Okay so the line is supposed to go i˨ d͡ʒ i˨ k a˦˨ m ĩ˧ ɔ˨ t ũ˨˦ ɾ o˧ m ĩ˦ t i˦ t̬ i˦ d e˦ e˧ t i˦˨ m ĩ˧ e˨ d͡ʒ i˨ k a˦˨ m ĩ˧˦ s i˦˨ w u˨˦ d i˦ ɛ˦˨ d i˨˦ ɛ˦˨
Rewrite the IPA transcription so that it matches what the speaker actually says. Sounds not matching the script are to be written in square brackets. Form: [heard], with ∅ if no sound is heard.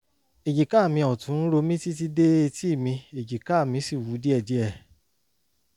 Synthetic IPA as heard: [e˨] d͡ʒ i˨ k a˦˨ m ĩ˧ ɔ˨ t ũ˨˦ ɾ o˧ m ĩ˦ t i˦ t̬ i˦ d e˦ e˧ t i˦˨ m ĩ˧ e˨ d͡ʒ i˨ k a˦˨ m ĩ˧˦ s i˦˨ w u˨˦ d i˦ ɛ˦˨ d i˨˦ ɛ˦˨